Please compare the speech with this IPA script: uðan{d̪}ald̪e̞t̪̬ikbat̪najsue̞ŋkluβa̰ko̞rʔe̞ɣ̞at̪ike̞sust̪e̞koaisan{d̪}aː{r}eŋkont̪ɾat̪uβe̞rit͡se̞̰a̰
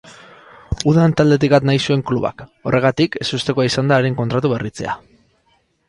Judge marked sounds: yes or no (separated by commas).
no, yes, no